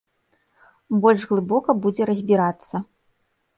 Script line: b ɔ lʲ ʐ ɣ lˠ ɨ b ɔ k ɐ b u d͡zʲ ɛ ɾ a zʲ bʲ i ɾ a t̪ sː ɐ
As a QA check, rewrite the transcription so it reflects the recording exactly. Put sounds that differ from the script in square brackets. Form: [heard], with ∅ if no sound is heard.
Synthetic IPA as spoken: b ɔ lʲ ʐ ɣ lˠ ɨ b ɔ k ɐ b u d͡zʲ ɛ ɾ [ɐ] zʲ bʲ i ɾ a t̪ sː ɐ